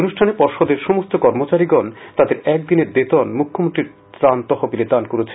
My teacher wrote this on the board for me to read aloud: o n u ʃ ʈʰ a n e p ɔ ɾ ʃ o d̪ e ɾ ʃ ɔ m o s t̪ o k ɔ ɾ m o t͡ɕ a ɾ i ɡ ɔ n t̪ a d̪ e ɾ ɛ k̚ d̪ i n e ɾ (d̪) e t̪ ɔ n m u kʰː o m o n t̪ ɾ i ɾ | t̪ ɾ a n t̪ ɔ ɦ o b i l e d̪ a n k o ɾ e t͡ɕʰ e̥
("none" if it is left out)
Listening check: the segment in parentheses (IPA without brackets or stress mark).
d̪